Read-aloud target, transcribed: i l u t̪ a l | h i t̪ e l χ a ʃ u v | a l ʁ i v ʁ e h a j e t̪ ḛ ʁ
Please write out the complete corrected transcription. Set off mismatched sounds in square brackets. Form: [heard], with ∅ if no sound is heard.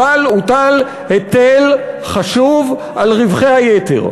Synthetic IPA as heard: [a] l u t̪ a l | h [e] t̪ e l χ a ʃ u v | a l ʁ i v [χ] e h a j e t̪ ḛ ʁ